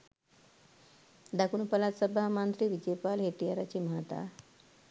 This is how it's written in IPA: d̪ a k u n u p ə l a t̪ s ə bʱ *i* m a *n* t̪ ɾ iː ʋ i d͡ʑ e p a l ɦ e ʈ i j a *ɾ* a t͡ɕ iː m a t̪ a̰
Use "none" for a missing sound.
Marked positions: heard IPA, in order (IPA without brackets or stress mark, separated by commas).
a, n, ɾ